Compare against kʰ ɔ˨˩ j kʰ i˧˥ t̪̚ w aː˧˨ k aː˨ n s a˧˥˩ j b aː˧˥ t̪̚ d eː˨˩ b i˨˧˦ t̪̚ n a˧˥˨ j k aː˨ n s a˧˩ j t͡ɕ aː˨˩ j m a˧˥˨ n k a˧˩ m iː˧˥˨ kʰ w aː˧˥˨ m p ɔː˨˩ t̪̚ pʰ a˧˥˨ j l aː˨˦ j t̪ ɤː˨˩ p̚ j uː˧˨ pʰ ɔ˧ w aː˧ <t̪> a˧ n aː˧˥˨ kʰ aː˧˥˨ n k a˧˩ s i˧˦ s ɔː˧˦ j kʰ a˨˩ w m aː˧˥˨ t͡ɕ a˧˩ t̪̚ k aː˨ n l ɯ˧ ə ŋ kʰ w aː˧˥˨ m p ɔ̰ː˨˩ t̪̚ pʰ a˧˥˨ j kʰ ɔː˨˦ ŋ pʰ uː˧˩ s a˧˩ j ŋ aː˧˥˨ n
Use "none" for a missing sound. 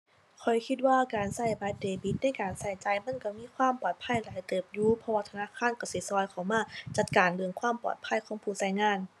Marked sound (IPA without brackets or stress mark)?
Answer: t̪ʰ